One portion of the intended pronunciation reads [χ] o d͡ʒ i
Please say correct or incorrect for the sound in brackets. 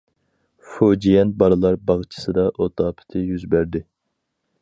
incorrect